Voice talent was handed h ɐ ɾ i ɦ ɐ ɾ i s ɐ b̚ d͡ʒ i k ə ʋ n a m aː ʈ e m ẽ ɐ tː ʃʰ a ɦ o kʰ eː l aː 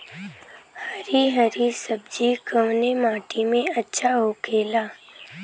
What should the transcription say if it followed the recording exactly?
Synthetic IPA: h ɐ ɾ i ɦ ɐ ɾ i s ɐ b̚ d͡ʒ i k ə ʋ n e m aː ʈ i m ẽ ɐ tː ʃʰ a ɦ o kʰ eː l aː